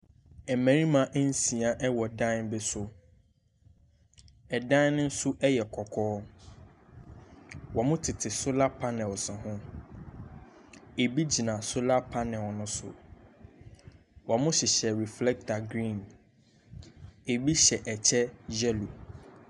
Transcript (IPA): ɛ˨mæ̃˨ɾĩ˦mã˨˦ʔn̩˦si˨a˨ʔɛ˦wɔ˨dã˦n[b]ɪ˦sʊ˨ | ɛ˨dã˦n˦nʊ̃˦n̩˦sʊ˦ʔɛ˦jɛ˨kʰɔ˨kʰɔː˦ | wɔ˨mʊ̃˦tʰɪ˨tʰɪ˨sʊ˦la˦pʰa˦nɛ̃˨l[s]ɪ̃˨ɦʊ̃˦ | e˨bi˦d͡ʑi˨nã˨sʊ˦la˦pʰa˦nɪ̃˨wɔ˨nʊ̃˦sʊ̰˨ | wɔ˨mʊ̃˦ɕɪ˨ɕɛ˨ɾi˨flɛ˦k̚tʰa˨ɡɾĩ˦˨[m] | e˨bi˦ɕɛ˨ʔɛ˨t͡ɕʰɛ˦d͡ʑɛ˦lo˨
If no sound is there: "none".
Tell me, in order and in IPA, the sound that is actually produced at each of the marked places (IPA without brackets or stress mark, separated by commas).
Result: b, s, n